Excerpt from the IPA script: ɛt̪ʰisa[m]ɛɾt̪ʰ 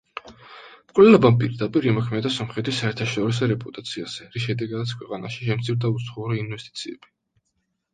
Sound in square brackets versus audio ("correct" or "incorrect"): incorrect